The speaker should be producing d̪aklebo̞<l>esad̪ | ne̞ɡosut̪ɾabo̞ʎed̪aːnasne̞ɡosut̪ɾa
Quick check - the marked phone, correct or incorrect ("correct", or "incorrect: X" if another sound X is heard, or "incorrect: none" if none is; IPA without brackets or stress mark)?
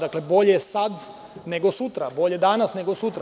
incorrect: ʎ